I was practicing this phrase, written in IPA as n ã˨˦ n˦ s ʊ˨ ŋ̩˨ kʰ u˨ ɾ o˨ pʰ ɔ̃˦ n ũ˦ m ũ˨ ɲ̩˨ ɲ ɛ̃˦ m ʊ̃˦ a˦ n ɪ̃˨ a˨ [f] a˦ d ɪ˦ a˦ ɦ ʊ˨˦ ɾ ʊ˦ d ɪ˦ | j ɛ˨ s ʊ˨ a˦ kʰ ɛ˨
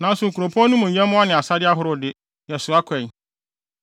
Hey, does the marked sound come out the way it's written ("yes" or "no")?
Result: no